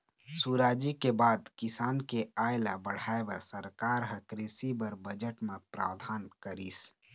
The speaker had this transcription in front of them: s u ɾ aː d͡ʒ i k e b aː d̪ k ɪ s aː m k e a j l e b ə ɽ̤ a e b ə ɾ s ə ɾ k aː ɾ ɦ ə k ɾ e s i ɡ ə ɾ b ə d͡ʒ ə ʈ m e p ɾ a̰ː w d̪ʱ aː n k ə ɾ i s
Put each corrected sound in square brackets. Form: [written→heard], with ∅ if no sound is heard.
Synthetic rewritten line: s u ɾ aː d͡ʒ i k e b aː d̪ k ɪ s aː [m→n] k e a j l [e→a] b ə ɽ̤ a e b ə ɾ s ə ɾ k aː ɾ ɦ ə k ɾ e s i [ɡ→b] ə ɾ b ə d͡ʒ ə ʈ m e p ɾ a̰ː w d̪ʱ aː n k ə ɾ i s